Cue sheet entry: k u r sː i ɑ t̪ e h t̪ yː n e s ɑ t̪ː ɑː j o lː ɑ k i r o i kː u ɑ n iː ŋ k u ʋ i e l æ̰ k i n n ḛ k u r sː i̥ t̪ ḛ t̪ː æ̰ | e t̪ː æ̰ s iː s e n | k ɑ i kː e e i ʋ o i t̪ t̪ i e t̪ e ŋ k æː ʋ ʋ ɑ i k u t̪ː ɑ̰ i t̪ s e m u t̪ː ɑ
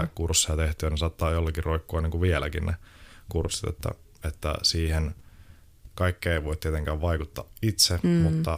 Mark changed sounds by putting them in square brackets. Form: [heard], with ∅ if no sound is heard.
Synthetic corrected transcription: k u r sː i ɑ t̪ e h t̪ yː n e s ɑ t̪ː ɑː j o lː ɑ k i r o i kː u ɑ n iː ŋ k u ʋ i e l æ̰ k i n n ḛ k u r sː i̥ t̪ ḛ t̪ː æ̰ | e t̪ː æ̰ s iː [h] e n | k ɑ i kː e e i ʋ o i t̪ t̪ i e t̪ e ŋ k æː ʋ ʋ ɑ i k u t̪ː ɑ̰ i t̪ s e m u t̪ː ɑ